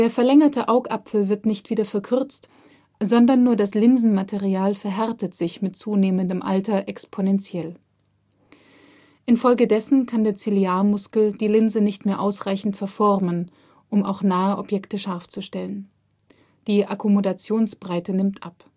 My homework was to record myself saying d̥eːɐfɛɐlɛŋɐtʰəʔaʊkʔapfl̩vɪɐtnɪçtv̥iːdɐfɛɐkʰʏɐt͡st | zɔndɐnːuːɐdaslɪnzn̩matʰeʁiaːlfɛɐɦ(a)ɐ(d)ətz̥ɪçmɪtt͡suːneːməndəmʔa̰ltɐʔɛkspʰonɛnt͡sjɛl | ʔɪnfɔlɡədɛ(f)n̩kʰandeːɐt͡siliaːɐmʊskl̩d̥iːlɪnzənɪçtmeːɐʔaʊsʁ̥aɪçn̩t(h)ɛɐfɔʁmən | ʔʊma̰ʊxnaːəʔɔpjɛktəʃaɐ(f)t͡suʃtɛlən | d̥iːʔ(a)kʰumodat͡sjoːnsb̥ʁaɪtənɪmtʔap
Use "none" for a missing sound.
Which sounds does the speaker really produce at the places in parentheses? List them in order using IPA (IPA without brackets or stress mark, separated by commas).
ɛ, t, s, f, f, a